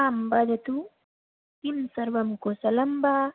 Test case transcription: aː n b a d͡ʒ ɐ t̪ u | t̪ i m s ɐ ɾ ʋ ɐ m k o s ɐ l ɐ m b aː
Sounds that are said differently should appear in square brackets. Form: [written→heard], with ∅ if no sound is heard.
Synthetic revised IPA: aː [n→m] b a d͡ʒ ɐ t̪ u | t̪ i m s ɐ ɾ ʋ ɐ m k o s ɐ l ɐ m b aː